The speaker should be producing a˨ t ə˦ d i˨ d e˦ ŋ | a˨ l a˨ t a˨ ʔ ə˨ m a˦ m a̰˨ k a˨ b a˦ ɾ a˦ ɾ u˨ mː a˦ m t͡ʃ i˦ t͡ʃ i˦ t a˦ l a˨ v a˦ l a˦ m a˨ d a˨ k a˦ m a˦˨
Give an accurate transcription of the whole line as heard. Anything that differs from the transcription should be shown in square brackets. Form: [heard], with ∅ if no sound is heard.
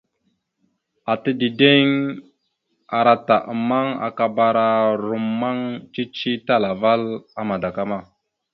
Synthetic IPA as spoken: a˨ t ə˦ d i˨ d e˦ ŋ | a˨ [ɾ] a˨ t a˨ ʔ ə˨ m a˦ [ŋ] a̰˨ k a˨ b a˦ ɾ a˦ ɾ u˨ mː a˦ [ŋ] t͡ʃ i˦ t͡ʃ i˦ t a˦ l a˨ v a˦ l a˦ m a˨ d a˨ k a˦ m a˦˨